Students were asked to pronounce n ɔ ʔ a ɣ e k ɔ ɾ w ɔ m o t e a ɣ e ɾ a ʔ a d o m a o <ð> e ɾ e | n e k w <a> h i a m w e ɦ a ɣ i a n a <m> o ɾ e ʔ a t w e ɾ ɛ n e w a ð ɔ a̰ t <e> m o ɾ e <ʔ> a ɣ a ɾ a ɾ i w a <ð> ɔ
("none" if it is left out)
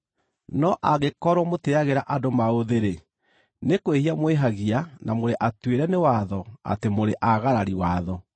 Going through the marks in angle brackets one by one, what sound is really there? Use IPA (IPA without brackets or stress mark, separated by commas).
ð, e, m, e, ʔ, ð